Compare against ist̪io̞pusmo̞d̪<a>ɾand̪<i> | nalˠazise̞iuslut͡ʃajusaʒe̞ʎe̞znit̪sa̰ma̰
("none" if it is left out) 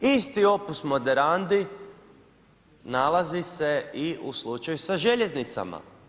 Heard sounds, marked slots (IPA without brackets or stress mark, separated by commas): e, i